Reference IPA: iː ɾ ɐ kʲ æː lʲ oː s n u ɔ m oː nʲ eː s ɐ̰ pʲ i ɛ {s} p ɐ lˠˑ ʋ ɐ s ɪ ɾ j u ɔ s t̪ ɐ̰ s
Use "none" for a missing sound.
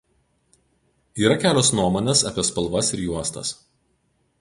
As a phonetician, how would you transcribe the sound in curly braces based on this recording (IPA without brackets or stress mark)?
s